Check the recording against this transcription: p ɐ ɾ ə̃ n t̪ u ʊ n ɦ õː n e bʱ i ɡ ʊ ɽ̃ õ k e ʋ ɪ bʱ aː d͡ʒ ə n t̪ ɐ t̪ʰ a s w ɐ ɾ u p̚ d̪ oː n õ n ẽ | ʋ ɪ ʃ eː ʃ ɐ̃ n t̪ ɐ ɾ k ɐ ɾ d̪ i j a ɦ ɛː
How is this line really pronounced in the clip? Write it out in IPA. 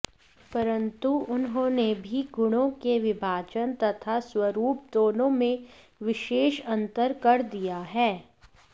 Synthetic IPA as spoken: p ɐ ɾ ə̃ n t̪ u ʊ n ɦ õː n e bʱ i ɡ ʊ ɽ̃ õ k e ʋ ɪ bʱ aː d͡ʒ ə n t̪ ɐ t̪ʰ a s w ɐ ɾ uː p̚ d̪ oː n õ m ẽ | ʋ ɪ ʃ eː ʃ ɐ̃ n t̪ ə ɾ k ɐ ɾ d̪ i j a ɦ ɛː